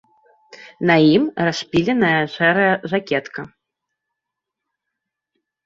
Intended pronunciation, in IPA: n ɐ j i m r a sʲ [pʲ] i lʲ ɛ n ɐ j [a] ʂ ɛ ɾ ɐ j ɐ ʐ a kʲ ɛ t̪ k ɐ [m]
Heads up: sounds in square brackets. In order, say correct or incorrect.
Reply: correct, incorrect, incorrect

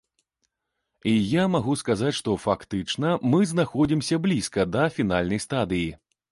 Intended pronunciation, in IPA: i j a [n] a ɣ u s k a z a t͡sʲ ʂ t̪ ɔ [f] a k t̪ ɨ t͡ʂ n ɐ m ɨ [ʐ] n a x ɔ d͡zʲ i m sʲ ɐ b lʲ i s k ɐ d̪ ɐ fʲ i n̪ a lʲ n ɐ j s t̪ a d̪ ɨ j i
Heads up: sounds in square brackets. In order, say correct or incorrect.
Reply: incorrect, correct, incorrect

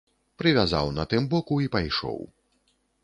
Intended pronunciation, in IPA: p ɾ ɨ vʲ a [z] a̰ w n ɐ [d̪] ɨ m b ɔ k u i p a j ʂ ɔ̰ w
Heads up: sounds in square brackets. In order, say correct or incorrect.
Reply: correct, incorrect

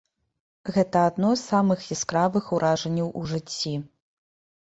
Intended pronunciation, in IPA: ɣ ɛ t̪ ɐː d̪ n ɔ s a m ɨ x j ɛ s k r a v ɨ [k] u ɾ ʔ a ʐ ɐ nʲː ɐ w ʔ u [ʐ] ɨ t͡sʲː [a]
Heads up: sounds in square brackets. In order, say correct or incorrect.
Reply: incorrect, correct, incorrect

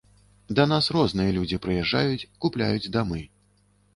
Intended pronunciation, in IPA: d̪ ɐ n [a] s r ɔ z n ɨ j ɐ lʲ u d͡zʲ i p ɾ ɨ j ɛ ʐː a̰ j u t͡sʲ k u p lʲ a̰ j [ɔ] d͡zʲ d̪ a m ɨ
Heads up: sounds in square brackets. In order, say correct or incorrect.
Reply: correct, incorrect

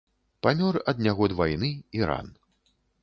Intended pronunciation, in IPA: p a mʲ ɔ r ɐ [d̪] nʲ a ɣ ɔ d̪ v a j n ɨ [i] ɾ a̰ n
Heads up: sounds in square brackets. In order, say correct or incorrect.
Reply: correct, correct

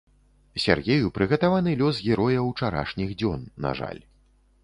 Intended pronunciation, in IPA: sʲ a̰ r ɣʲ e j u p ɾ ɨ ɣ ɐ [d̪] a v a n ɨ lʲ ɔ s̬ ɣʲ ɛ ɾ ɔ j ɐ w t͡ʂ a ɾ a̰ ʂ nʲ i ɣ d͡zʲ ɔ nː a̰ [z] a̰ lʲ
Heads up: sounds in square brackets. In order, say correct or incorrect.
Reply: incorrect, incorrect

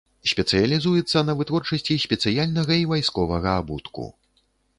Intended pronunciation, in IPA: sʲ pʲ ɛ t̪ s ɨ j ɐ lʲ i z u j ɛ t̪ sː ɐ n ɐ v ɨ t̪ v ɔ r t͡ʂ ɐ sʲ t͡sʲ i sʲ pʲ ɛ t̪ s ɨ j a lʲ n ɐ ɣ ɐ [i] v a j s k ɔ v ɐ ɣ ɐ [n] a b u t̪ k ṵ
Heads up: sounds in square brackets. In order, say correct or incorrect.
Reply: correct, incorrect

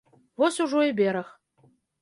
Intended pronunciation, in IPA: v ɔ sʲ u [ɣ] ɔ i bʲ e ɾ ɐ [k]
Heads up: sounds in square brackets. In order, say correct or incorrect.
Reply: incorrect, incorrect

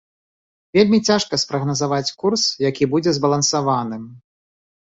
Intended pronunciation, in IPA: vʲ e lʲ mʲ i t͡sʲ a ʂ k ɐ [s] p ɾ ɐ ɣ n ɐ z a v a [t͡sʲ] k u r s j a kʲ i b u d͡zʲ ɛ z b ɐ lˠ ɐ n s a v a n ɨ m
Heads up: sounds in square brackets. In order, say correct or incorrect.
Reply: correct, correct

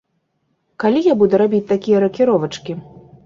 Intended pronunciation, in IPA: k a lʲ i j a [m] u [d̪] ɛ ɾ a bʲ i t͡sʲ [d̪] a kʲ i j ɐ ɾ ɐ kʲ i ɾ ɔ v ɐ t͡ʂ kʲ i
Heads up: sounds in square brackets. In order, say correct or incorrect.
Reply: incorrect, correct, incorrect

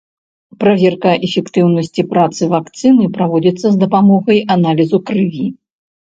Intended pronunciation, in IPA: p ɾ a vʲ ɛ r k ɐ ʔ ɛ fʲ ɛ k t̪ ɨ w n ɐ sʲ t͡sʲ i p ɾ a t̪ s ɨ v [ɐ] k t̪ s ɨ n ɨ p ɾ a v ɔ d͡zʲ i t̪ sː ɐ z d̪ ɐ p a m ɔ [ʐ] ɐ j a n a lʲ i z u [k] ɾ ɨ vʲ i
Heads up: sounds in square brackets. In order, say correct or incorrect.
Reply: incorrect, incorrect, correct

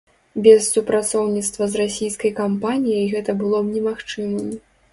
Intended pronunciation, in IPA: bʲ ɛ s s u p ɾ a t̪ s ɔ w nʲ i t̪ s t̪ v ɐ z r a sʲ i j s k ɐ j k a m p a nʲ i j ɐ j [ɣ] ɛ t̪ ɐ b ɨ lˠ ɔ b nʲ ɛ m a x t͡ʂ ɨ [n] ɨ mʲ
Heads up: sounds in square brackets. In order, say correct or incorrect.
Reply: correct, incorrect

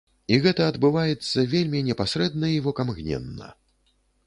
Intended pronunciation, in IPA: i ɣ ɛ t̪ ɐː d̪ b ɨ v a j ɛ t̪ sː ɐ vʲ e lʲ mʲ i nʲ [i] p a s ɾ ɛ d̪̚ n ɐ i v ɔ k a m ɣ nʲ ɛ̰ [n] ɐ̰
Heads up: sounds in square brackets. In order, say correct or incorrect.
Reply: incorrect, incorrect

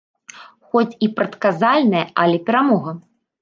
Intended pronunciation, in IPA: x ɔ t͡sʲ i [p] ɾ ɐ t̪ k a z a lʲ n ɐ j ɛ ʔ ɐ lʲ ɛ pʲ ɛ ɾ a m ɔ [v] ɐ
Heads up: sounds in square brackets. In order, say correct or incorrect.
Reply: correct, incorrect

